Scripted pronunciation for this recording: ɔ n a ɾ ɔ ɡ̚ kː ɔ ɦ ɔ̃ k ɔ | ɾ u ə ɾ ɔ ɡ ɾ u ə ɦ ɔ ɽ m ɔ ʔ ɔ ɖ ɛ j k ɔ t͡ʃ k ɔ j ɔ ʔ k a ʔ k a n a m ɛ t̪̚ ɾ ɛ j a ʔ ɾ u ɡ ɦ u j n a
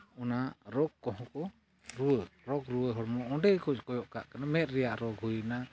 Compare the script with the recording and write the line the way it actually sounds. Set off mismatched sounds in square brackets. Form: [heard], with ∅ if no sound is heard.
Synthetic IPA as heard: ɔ n a ɾ ɔ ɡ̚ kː ɔ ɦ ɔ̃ k ɔ | ɾ u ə ɾ ɔ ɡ ɾ u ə ɦ ɔ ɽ m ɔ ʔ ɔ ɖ ɛ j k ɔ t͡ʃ k ɔ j ɔ ʔ k a ʔ k a n a m ɛ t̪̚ ɾ ɛ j a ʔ ɾ [ɔ] ɡ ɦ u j n a